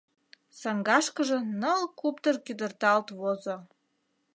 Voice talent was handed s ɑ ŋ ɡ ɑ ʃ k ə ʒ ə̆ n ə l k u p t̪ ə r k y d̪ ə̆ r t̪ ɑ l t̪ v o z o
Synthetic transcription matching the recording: s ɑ ŋ ɡ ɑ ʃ k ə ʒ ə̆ n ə l k u p t̪ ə r k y d̪ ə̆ r t̪ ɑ l t̪ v o z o